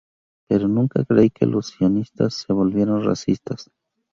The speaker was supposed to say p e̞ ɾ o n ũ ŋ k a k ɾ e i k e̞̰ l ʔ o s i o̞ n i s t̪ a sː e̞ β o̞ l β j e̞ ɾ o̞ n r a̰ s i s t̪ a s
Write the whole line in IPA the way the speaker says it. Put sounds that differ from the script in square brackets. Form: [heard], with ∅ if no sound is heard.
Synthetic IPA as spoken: p e̞ ɾ o n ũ ŋ k a k ɾ e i k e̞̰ l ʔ o s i o̞ n i s t̪ a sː e̞ β o̞ l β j e̞ ɾ o̞ n r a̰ s i s t̪ a s